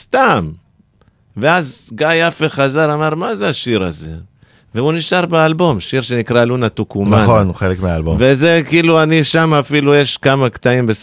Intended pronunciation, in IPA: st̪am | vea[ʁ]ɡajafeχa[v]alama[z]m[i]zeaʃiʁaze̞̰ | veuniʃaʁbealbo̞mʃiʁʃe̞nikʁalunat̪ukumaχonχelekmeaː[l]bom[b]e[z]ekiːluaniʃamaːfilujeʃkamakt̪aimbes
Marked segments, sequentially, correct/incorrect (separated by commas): incorrect, incorrect, incorrect, incorrect, correct, incorrect, correct